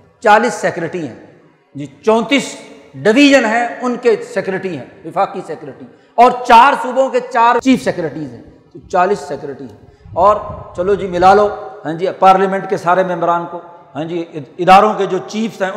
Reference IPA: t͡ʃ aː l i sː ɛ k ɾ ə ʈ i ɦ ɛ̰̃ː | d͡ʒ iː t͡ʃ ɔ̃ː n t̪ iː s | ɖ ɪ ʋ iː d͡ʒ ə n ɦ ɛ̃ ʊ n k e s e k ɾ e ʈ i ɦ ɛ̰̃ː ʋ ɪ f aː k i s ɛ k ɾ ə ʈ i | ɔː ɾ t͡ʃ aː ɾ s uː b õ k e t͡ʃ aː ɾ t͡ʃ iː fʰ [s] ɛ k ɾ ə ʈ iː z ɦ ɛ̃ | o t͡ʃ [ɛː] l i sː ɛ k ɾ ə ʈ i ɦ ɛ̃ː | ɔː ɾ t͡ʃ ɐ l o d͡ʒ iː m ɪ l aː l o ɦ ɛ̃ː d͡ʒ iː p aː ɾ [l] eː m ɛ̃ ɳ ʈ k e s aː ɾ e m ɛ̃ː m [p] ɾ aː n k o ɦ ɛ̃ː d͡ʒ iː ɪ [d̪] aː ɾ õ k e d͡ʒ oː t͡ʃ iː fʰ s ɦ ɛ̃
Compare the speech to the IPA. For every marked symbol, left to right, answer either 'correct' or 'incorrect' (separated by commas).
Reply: correct, incorrect, correct, incorrect, correct